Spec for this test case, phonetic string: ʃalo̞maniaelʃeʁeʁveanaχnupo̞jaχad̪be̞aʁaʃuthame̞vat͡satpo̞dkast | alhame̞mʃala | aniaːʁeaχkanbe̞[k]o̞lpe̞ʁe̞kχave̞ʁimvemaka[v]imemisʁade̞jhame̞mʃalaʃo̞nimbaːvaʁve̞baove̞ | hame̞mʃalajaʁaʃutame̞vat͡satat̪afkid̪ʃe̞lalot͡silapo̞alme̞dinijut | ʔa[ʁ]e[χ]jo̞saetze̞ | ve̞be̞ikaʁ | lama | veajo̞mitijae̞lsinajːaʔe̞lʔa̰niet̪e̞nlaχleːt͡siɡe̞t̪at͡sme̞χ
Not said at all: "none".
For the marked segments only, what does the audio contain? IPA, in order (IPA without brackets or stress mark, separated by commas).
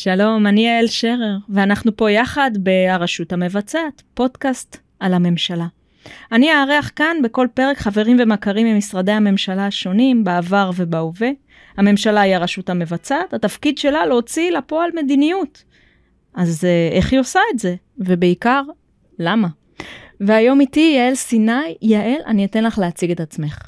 k, ʁ, z, χ